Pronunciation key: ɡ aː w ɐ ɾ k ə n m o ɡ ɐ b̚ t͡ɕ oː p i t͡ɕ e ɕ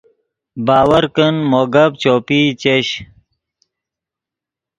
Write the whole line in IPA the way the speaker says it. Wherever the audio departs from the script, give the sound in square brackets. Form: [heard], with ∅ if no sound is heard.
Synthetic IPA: [b] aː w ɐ ɾ k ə n m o ɡ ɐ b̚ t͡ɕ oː p i t͡ɕ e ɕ